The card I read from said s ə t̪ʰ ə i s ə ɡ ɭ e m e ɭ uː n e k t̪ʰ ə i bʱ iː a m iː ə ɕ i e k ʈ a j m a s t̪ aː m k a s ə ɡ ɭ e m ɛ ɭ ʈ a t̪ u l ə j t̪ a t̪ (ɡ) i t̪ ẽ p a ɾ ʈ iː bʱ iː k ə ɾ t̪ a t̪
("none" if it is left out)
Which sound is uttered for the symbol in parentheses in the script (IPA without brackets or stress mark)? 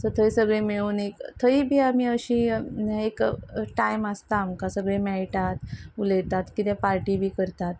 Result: k